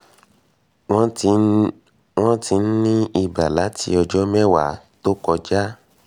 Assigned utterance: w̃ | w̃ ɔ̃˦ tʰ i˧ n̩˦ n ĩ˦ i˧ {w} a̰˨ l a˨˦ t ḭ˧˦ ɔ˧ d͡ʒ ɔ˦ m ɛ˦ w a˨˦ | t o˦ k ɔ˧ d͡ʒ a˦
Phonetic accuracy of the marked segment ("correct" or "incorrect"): incorrect